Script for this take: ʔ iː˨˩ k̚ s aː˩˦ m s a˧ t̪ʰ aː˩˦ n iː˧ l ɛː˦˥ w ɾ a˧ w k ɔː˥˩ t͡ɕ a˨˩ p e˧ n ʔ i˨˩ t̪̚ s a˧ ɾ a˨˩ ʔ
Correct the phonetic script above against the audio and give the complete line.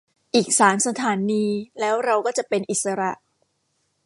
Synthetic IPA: ʔ iː˨˩ k̚ s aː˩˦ m s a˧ t̪ʰ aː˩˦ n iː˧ l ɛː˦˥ w ɾ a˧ w k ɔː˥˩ t͡ɕ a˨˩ p e˧ n ʔ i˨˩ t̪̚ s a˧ ɾ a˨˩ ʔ